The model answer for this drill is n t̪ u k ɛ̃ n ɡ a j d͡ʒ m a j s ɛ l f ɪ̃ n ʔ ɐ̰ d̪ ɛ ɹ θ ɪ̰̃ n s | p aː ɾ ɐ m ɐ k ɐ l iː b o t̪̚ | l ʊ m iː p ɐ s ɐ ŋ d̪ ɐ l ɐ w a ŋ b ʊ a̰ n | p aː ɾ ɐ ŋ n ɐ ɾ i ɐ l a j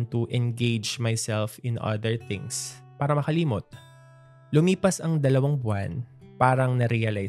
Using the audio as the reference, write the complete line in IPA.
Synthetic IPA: n t̪ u ʔ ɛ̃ n ɡ e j d͡ʒ m a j s ɛ l f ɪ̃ n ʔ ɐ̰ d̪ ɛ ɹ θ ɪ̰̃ ŋ s | p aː ɾ ɐ m ɐ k ɐ l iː m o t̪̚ | l ʊ m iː p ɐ s ɐ ŋ d̪ ɐ l ɐ w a ŋ b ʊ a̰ n | p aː ɾ ɐ ŋ n ɐ ɾ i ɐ l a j